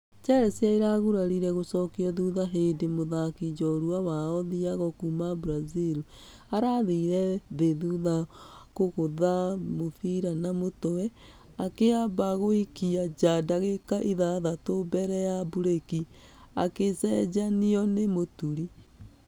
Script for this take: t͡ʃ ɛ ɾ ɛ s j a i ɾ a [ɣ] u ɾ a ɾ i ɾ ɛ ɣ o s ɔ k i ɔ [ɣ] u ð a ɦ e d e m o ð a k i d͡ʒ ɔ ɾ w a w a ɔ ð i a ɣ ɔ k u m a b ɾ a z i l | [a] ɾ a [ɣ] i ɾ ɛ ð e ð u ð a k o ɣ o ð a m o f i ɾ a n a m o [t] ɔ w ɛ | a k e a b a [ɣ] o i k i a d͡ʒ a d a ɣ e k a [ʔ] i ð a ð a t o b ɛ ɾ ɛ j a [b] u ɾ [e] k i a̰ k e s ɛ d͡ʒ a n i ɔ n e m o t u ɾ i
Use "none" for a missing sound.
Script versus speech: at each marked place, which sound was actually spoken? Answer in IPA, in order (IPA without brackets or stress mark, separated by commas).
ɣ, ð, a, ð, t, ɣ, ʔ, b, e